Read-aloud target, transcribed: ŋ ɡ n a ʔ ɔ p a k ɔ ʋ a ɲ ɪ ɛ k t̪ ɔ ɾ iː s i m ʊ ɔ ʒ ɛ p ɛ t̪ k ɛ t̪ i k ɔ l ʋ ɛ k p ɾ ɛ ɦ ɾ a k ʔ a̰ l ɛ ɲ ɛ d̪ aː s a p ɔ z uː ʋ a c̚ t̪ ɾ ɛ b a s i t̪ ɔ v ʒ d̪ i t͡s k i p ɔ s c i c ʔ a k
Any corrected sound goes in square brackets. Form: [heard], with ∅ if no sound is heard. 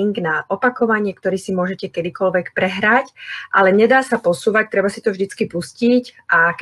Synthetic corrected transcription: ŋ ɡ n a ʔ ɔ p a k ɔ ʋ a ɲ ɪ ɛ k t̪ ɔ ɾ iː s i m ʊ ɔ ʒ ɛ [c] ɛ [∅] k ɛ [d̪] i k ɔ l ʋ ɛ k p ɾ ɛ ɦ ɾ a [c] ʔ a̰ l ɛ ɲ ɛ d̪ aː s a p ɔ [s] uː ʋ a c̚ t̪ ɾ ɛ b a s i t̪ ɔ v ʒ d̪ i t͡s k i p [u] s c i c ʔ a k